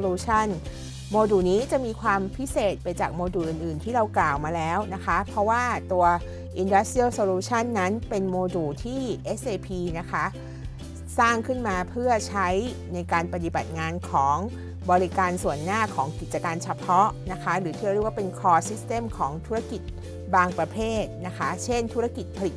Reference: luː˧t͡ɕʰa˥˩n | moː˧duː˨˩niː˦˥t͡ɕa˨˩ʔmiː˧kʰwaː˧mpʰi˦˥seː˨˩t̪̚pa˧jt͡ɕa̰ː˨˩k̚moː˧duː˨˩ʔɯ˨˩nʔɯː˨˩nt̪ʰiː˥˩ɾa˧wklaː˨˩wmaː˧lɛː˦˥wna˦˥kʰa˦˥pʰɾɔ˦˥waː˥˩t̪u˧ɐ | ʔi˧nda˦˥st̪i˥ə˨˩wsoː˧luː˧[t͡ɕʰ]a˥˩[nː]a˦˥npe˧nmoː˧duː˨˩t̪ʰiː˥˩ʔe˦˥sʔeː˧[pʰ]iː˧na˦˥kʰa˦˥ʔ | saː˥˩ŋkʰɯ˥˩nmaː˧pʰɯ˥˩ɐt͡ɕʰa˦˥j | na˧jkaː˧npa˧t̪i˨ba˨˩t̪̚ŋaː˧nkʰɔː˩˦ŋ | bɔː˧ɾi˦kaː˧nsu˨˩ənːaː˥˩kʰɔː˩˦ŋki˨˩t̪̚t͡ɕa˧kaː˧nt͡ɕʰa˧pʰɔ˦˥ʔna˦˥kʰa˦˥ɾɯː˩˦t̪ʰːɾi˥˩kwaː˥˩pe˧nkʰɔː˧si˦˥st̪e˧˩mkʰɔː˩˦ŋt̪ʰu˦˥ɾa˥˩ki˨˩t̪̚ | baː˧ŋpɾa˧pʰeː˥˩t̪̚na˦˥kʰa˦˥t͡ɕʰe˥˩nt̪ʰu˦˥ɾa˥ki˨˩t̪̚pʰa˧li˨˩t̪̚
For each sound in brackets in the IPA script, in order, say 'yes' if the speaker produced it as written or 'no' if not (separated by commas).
yes, yes, yes